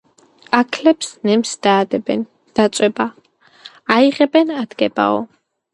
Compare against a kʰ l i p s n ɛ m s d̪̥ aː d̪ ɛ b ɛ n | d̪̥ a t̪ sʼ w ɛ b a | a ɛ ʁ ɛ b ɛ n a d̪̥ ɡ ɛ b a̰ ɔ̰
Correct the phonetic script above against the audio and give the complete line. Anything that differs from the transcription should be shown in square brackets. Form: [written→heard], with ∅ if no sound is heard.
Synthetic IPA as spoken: a kʰ l [i→ɛ] p s n ɛ m s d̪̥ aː d̪ ɛ b ɛ n | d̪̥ a t̪ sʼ w ɛ b a | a [ɛ→i] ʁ ɛ b ɛ n a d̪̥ ɡ ɛ b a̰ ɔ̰